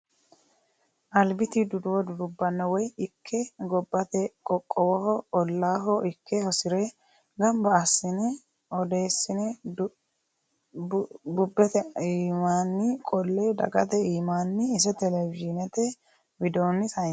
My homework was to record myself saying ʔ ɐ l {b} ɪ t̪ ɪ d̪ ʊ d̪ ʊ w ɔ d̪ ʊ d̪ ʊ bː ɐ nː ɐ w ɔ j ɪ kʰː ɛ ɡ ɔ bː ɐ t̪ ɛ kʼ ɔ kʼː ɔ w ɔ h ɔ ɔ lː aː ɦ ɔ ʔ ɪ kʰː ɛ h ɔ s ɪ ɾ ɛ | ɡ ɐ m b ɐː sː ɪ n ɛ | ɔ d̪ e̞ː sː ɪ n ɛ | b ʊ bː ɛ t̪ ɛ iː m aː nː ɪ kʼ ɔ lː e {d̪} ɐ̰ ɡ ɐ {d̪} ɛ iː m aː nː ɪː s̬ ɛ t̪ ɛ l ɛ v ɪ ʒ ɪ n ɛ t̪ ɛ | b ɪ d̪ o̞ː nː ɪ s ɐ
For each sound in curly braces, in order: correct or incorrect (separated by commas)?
correct, correct, incorrect